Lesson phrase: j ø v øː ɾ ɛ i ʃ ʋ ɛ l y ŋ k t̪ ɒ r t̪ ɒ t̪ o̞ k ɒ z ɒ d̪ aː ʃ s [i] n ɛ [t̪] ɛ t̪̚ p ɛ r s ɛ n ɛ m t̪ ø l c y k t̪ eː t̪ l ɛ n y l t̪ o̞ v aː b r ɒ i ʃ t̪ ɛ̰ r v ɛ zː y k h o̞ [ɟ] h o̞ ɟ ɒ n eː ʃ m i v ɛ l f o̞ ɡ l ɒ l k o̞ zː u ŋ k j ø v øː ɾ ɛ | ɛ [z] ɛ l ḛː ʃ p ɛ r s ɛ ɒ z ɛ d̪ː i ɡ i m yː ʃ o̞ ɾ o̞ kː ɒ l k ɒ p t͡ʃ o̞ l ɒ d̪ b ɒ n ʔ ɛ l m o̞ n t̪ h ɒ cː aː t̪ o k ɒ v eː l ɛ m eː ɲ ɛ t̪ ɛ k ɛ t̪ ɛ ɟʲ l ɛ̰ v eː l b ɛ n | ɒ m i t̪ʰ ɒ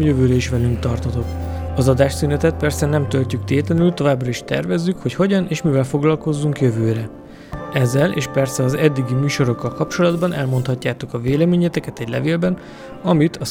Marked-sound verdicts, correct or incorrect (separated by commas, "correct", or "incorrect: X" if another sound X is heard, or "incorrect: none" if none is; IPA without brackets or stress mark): incorrect: y, correct, incorrect: c, incorrect: zː